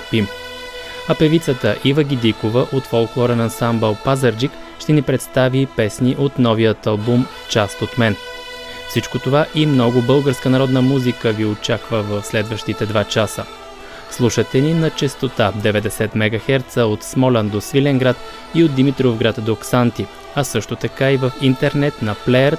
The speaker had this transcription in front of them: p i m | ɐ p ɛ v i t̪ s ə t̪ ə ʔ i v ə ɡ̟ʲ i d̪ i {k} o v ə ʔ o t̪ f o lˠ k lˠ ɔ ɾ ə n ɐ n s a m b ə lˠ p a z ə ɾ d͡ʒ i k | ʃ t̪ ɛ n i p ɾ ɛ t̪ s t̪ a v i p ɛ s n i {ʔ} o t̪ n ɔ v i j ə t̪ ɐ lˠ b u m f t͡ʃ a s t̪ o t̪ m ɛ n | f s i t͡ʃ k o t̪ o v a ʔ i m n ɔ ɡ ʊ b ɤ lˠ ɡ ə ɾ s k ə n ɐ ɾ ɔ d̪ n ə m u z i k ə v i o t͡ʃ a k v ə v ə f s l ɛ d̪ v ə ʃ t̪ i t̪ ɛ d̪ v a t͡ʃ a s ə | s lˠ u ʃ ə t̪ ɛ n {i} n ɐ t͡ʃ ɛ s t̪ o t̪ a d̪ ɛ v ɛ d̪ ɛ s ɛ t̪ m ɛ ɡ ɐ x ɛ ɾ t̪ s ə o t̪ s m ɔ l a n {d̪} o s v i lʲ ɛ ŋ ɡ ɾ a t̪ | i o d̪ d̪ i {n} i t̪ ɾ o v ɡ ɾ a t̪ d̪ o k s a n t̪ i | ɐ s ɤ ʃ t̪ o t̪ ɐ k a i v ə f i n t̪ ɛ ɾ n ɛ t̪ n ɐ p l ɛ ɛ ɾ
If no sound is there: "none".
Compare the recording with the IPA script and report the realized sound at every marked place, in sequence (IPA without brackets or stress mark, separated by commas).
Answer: k, ʔ, i, d̪, m